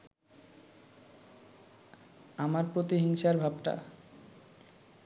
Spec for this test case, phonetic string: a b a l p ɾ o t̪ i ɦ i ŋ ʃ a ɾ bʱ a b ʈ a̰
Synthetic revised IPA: a m a ɾ p ɾ o t̪ i ɦ i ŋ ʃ a ɾ bʱ a b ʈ a̰